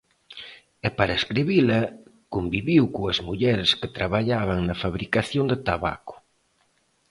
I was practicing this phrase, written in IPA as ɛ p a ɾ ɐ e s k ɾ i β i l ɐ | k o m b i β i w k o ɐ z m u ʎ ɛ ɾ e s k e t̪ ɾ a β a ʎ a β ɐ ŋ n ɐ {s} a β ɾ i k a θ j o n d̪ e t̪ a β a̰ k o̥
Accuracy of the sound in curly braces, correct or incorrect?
incorrect